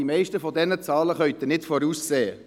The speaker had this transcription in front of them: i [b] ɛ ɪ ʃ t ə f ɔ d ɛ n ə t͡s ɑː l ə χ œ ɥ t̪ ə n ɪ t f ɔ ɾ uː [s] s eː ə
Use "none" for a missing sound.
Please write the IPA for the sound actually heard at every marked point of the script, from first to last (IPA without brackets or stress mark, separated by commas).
m, s